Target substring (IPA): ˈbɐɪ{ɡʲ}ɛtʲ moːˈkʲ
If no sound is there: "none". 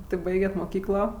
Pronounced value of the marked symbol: ɡʲ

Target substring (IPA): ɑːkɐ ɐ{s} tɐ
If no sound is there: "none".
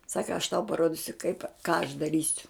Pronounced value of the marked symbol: ʃ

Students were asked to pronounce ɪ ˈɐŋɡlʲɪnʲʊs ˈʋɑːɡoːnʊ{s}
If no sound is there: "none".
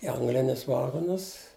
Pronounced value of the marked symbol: s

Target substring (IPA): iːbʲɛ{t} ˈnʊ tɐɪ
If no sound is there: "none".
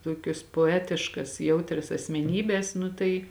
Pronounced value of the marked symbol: s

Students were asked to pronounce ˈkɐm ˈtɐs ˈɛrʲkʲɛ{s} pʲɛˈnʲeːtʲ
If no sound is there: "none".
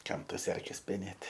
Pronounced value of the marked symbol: s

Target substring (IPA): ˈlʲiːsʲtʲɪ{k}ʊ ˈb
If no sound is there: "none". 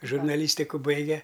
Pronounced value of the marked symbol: k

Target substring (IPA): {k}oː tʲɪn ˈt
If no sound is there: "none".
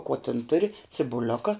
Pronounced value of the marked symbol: k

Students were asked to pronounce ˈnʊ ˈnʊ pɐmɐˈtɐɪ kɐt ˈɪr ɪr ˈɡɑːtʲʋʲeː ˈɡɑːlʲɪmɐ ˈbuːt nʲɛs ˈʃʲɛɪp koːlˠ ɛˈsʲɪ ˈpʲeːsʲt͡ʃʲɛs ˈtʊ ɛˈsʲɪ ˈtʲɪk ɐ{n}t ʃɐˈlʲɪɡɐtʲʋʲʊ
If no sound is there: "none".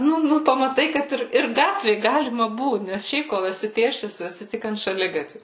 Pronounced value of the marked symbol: n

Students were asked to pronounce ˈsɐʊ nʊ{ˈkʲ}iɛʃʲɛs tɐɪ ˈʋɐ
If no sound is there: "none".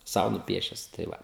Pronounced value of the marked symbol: pʲ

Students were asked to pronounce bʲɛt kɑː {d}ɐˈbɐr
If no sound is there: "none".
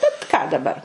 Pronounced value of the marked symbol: d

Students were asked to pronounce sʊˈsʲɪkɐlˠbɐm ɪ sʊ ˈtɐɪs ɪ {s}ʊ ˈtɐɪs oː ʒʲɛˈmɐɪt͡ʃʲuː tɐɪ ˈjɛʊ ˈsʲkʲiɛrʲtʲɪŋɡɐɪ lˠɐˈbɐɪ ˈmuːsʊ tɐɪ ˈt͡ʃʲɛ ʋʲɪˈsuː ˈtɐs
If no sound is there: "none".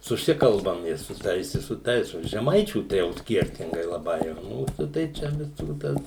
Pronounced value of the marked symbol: s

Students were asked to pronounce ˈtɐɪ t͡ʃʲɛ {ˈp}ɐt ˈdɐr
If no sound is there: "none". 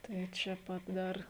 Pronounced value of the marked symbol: p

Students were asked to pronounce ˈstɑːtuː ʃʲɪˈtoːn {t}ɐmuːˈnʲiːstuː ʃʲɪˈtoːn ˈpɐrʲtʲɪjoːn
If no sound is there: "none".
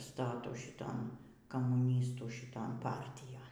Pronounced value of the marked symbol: k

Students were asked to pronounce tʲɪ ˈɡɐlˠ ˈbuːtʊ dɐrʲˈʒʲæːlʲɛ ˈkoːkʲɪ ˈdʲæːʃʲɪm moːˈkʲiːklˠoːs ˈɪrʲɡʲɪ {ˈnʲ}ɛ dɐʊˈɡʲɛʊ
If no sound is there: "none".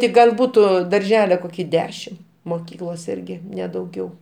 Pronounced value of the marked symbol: nʲ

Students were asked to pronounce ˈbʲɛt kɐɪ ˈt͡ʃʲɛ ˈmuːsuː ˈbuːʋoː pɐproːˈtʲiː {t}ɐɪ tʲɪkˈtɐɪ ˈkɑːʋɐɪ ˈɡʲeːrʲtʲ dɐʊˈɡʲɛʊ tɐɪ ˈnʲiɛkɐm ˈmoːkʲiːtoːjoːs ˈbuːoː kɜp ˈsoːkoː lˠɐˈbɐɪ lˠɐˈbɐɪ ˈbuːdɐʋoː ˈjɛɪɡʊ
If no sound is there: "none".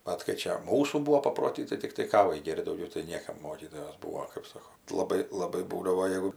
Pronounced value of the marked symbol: t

